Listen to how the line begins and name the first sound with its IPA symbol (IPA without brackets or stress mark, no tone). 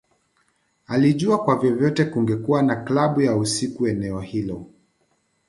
a